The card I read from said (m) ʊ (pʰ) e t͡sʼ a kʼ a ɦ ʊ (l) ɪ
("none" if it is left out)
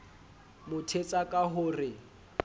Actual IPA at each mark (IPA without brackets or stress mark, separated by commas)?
m, tʰ, r